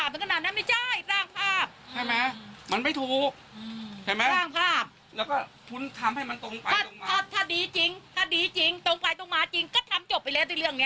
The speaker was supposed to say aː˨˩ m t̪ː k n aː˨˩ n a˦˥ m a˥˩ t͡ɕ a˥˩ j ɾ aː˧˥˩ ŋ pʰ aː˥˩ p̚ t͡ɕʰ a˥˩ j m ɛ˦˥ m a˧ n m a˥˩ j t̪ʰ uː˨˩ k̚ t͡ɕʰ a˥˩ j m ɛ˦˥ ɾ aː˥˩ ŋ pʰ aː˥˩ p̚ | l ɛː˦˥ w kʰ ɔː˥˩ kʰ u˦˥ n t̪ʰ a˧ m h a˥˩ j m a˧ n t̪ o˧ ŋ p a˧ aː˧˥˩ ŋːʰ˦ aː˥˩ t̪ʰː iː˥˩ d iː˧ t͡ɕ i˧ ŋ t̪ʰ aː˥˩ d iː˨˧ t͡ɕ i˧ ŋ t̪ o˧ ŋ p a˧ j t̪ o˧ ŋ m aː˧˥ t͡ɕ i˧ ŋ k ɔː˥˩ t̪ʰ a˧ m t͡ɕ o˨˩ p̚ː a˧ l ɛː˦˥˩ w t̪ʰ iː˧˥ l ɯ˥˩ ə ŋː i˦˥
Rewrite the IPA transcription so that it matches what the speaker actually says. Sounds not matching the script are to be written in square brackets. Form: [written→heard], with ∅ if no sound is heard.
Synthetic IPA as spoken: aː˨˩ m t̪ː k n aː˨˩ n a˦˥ m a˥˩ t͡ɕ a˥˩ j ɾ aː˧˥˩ ŋ pʰ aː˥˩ p̚ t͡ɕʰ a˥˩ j m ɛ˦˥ m a˧ n m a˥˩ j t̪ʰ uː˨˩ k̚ t͡ɕʰ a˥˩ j m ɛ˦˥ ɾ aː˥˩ ŋ pʰ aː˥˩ p̚ | l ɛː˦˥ w [kʰ→k] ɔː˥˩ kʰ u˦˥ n t̪ʰ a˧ m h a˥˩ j m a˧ n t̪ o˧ ŋ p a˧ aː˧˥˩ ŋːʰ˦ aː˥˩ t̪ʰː [iː˥˩→aː˥˩] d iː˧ t͡ɕ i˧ ŋ t̪ʰ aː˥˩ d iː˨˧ t͡ɕ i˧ ŋ t̪ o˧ ŋ p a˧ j t̪ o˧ ŋ m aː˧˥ t͡ɕ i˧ ŋ k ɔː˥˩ t̪ʰ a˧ m t͡ɕ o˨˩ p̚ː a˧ l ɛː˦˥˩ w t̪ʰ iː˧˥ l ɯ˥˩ ə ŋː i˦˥